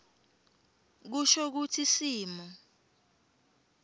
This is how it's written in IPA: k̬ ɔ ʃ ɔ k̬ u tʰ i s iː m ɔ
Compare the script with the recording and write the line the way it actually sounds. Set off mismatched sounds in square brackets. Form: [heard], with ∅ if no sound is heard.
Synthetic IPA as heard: k̬ [u] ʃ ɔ k̬ u tʰ i s iː m ɔ